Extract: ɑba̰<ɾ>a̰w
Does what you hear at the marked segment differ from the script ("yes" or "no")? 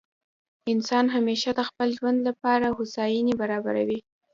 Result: no